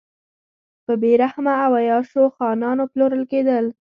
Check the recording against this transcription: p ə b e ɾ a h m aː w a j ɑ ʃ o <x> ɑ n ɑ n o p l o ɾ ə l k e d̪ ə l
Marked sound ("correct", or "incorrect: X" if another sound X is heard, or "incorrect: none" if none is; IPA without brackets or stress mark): correct